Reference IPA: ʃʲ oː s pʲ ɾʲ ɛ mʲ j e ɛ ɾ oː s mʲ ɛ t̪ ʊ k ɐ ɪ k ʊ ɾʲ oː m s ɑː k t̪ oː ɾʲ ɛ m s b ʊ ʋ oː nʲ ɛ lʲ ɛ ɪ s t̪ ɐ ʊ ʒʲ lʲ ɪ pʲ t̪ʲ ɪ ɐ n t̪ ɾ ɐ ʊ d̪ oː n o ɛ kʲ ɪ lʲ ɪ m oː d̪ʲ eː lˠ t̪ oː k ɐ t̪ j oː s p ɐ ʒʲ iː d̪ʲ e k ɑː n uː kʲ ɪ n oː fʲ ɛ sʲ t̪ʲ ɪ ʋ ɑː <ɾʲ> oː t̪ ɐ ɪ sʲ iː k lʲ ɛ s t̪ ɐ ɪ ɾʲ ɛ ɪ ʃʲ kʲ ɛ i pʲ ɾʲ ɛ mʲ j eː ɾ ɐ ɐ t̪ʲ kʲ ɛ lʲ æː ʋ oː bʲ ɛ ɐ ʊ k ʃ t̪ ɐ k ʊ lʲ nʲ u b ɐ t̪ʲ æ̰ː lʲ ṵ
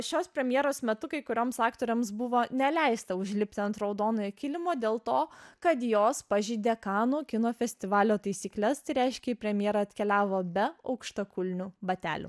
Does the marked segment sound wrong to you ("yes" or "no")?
yes